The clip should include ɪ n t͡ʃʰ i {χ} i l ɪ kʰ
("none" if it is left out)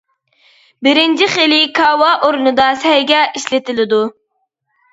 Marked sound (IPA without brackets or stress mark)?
χ